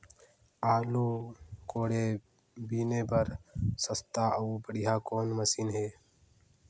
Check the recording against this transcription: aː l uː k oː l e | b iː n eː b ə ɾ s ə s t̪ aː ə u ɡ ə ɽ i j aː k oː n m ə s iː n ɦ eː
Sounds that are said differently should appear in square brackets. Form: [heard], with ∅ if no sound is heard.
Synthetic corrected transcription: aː l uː k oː [ɽ] e | b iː n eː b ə ɾ s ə s t̪ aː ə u [b] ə ɽ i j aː k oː n m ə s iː n ɦ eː